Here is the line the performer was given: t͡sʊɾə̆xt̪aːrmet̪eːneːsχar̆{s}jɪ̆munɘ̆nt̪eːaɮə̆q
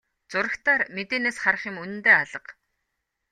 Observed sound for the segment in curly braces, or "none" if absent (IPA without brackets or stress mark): χ